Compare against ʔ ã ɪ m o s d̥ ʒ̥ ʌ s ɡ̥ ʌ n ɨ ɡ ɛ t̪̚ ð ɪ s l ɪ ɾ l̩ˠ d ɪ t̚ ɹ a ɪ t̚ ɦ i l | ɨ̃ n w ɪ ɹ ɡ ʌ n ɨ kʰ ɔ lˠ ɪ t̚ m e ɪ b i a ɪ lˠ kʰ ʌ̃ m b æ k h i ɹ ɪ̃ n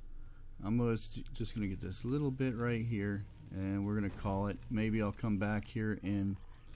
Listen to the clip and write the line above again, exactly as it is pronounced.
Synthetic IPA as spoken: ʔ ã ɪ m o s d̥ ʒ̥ ʌ s ɡ̥ ʌ n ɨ ɡ ɛ t̪̚ ð ɪ s l ɪ ɾ l̩ˠ b ɪ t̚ ɹ a ɪ t̚ ɦ i ɹ | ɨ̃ n w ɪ ɹ ɡ ʌ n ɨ kʰ ɔ lˠ ɪ t̚ m e ɪ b i a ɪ lˠ kʰ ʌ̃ m b æ k h i ɹ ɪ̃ n

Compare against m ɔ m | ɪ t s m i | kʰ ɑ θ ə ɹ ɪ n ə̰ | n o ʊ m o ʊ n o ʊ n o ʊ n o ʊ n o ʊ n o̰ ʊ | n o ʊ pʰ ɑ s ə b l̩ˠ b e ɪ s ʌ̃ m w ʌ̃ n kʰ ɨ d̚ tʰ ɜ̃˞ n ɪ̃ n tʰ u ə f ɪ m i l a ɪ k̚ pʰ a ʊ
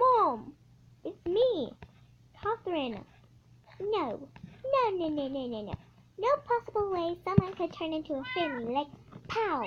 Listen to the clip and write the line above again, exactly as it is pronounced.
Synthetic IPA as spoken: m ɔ m | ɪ t s m i | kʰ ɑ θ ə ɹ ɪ n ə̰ | n o ʊ n o ʊ n o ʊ n o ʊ n o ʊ n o ʊ n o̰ ʊ | n o ʊ pʰ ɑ s ə b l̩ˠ w e ɪ s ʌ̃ m w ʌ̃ n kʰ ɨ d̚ tʰ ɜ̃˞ n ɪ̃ n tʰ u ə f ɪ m i l a ɪ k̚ pʰ a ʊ

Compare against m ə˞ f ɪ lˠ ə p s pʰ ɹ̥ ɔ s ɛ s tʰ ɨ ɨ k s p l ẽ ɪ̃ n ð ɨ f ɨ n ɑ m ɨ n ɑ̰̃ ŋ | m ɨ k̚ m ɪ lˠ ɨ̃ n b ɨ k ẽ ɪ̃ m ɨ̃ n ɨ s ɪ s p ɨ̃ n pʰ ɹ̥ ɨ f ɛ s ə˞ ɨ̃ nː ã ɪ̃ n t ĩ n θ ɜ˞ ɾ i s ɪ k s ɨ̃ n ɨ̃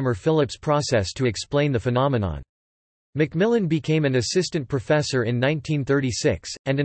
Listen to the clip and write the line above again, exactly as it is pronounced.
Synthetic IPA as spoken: m ə˞ f ɪ lˠ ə p s pʰ ɹ̥ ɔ s ɛ s tʰ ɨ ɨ k s p l ẽ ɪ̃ n ð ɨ f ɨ n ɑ m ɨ n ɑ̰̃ n | m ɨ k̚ m ɪ lˠ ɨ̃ n b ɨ kʰ ẽ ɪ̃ m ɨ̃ n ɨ s ɪ s t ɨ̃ n pʰ ɹ̥ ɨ f ɛ s ə˞ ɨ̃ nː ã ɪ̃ n tʰ ĩ n θ ɜ˞ ɾ i s ɪ k s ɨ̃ n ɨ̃

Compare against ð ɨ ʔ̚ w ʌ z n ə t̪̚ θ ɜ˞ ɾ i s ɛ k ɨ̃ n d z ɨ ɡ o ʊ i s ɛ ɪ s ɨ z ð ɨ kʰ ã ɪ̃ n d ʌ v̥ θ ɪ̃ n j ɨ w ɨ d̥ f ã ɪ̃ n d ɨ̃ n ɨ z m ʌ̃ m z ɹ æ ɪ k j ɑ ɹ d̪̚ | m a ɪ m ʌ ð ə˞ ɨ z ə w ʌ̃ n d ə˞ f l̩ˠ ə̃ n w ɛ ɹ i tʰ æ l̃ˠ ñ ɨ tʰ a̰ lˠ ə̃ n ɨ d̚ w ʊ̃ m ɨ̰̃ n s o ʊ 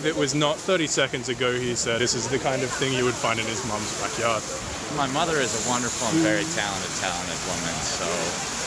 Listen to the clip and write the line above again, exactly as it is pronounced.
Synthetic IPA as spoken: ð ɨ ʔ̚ w ʌ z n ə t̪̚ θ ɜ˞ ɾ i s ɛ k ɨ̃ n d z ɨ ɡ o ʊ i s ɛ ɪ s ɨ z ð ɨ kʰ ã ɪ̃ n d ʌ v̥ θ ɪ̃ ŋ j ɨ w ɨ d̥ f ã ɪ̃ n d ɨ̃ n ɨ z m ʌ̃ m z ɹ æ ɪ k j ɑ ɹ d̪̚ | m a ɪ m ʌ ð ə˞ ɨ z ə w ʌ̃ n d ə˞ f l̩ˠ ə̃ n v ɛ ɹ i tʰ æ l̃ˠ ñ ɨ tʰ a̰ lˠ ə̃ n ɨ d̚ w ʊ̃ m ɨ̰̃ n s o ʊ

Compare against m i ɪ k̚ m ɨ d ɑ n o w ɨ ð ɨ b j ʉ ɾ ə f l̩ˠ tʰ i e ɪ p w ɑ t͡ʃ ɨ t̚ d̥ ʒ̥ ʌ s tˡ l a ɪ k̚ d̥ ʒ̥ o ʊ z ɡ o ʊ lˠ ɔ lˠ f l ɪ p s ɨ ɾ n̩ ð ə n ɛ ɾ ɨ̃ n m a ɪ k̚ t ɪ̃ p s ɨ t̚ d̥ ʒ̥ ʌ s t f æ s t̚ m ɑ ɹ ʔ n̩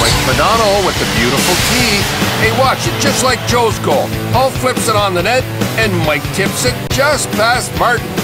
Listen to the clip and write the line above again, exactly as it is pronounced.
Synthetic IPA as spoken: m a ɪ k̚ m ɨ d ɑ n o w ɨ ð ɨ b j ʉ ɾ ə f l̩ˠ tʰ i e ɪ w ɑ t͡ʃ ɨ t̚ d̥ ʒ̥ ʌ s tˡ l a ɪ k̚ d̥ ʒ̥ o ʊ z ɡ o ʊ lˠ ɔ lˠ f l ɪ p s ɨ ɾ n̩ ð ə n ɛ ɾ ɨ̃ n m a ɪ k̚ tʰ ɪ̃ p s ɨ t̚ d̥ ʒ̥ ʌ s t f æ s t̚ m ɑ ɹ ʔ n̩

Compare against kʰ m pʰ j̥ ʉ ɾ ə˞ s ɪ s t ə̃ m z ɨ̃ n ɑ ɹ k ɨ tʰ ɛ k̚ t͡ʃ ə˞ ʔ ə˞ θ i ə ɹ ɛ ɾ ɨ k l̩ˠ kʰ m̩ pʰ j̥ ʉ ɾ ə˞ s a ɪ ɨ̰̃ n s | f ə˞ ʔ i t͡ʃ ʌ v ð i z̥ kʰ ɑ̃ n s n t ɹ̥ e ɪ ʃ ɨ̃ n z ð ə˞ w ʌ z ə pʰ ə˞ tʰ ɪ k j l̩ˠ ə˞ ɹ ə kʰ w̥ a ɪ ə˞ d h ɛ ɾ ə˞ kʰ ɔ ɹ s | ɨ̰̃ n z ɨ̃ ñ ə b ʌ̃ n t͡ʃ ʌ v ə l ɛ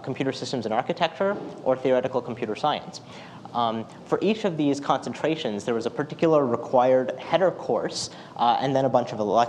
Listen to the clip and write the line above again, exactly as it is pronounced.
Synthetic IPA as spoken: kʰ m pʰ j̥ ʉ ɾ ə˞ s ɪ s t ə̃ m z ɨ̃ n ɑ ɹ k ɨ tʰ ɛ k̚ t͡ʃ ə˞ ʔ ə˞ θ i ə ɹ ɛ ɾ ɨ k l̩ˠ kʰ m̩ pʰ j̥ ʉ ɾ ə˞ s a ɪ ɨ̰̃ n s | f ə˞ ʔ i t͡ʃ ʌ v ð i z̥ kʰ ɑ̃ n s n tʰ ɹ̥ e ɪ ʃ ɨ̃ n z ð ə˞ w ʌ z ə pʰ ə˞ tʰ ɪ k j l̩ˠ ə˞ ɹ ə kʰ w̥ a ɪ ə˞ d h ɛ ɾ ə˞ kʰ ɔ ɹ s | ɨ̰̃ n ð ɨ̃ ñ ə b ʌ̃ n t͡ʃ ʌ v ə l ɛ

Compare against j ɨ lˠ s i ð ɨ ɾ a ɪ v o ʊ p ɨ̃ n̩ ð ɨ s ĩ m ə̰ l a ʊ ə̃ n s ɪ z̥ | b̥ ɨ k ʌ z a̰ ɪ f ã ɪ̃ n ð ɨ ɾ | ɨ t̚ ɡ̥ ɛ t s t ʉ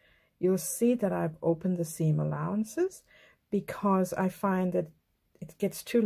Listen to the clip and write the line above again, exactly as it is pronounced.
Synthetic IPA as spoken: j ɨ lˠ s i ð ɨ ɾ a ɪ v o ʊ p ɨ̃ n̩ ð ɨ s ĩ m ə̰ l a ʊ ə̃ n s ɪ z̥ | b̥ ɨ kʰ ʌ z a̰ ɪ f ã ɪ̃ n ð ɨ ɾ | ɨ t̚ ɡ̥ ɛ t s tʰ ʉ

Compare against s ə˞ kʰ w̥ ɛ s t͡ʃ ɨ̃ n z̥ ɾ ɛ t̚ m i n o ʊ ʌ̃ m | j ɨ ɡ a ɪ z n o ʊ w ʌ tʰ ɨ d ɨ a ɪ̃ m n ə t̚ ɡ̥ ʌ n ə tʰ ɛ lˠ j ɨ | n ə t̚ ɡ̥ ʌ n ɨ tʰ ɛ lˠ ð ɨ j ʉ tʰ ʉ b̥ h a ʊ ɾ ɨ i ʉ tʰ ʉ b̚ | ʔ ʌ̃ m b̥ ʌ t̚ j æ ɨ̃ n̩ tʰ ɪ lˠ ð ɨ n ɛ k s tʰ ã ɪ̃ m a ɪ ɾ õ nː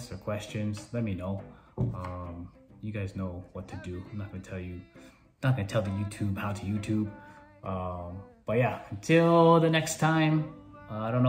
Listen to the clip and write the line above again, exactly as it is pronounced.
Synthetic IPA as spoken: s ə˞ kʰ w̥ ɛ s t͡ʃ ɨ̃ n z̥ l ɛ t̚ m i n o ʊ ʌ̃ m | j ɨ ɡ a ɪ z n o ʊ w ʌ tʰ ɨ d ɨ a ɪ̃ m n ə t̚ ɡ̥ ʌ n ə tʰ ɛ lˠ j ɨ | n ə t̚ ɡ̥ ʌ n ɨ tʰ ɛ lˠ ð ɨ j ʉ tʰ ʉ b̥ h a ʊ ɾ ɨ j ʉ tʰ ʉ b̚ | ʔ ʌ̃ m b̥ ʌ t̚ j æ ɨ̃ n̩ tʰ ɪ lˠ ð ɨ n ɛ k s tʰ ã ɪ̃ m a ɪ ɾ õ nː

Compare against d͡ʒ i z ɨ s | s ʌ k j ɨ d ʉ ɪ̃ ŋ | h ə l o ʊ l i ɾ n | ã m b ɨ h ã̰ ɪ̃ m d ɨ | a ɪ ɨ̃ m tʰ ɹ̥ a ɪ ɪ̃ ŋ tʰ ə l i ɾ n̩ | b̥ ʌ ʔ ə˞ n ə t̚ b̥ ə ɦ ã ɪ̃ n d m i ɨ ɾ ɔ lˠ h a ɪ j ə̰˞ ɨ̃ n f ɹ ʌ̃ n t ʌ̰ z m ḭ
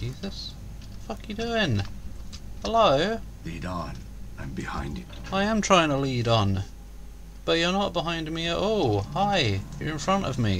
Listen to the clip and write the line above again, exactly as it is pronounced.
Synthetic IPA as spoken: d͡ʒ i z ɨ s | f ʌ k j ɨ d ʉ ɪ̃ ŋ | h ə l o ʊ l i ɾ n | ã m b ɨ h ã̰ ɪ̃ n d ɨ | a ɪ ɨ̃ m tʰ ɹ̥ a ɪ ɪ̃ ŋ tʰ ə l i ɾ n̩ | b̥ ʌ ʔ ə˞ n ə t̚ b̥ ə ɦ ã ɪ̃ n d m i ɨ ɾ ɔ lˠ h a ɪ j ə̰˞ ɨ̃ n f ɹ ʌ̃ n t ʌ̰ v m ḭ

